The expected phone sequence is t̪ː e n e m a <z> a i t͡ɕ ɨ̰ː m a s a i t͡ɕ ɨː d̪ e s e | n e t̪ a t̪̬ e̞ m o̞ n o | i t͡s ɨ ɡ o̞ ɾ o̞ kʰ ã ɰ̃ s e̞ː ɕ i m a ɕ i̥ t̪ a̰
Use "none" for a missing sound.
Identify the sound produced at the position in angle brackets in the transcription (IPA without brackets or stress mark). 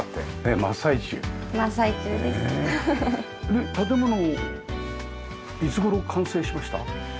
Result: s